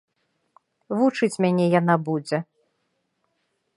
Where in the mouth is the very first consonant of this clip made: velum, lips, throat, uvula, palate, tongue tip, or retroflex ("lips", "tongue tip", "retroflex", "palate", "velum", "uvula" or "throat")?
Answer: lips